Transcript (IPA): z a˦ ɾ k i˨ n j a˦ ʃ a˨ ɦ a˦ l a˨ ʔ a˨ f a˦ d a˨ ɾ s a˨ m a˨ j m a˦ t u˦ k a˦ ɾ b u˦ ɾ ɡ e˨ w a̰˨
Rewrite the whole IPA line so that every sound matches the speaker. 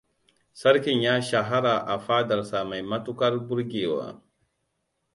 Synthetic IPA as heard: s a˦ ɾ k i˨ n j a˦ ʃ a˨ ɦ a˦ ɾ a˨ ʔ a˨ f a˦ d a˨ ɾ s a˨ m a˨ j m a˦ t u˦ k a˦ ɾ b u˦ ɾ ɡ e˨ w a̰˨